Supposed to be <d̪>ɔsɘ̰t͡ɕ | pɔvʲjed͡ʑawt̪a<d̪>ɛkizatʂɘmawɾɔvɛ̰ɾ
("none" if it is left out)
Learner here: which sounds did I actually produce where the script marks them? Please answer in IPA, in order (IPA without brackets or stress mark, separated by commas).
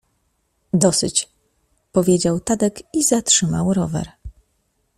d̪, d̪